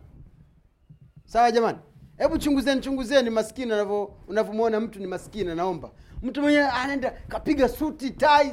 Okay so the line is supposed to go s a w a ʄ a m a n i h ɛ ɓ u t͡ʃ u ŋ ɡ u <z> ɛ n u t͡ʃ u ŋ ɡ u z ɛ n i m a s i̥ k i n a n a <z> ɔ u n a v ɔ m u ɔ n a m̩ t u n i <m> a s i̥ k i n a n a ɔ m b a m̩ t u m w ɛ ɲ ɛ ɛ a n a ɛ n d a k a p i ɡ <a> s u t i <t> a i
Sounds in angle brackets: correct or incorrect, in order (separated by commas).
correct, incorrect, correct, correct, correct